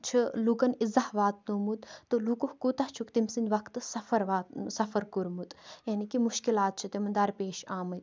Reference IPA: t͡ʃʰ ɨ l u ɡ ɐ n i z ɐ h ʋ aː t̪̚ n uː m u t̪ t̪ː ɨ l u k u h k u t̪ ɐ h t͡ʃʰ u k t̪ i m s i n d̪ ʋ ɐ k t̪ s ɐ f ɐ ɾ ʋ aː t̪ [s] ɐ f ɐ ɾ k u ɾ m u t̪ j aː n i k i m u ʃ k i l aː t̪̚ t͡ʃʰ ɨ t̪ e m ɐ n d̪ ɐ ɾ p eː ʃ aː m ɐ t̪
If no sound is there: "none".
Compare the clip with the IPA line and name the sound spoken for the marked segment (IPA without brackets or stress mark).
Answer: s